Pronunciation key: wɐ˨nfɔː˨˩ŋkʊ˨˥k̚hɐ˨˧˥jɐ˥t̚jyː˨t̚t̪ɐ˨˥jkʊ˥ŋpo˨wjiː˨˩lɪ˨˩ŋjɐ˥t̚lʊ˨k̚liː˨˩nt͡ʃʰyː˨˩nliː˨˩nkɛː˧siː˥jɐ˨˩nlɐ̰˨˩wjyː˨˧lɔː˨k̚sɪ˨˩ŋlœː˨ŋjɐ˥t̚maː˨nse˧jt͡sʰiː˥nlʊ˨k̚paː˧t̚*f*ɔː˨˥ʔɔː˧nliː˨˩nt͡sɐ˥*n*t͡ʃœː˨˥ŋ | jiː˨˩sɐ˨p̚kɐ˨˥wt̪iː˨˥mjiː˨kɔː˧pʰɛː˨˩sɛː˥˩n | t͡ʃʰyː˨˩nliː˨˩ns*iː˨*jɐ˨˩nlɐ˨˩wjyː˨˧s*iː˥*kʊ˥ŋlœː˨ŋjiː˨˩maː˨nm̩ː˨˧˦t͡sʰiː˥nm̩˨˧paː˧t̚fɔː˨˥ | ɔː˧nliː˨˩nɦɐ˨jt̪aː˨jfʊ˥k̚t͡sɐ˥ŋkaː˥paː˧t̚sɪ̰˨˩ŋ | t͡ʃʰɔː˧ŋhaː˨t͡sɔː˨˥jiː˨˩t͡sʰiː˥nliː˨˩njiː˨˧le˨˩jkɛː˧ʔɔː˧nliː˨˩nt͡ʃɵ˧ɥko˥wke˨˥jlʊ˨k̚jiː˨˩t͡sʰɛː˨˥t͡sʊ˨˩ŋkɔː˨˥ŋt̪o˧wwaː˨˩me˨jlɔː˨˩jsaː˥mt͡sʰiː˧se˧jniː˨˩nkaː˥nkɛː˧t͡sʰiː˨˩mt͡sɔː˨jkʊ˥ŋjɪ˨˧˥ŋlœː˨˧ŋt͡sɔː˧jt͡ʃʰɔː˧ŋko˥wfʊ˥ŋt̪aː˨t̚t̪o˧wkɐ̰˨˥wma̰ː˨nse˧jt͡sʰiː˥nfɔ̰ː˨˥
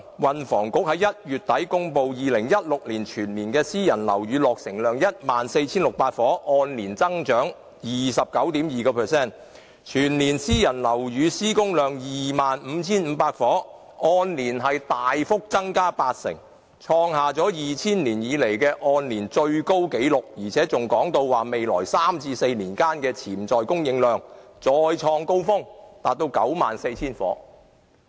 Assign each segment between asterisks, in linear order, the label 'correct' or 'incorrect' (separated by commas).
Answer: correct, incorrect, incorrect, correct